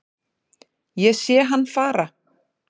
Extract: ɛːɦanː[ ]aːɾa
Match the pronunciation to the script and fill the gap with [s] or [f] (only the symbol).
f